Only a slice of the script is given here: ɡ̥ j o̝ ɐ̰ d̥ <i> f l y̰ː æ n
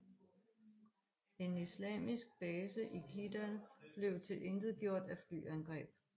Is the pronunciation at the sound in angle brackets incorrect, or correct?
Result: incorrect